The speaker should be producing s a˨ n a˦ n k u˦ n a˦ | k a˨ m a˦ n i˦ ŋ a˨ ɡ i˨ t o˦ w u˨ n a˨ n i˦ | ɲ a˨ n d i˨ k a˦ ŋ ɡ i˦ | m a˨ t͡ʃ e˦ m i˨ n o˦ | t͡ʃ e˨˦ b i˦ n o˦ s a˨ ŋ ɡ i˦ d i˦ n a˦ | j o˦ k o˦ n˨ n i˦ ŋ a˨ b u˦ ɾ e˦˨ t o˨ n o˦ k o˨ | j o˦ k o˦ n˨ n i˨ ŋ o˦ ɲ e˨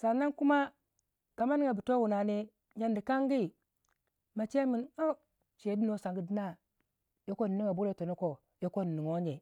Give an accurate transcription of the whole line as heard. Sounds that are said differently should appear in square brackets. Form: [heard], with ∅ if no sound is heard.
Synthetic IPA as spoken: s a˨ n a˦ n k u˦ [m] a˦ | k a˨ m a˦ n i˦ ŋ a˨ [b] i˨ t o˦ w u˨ n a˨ n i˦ | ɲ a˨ n d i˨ k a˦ ŋ ɡ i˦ | m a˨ t͡ʃ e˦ m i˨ n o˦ | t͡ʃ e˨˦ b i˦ n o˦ s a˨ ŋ ɡ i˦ d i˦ n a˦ | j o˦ k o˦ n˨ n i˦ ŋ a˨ b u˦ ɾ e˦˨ t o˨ n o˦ k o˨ | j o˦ k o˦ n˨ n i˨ ŋ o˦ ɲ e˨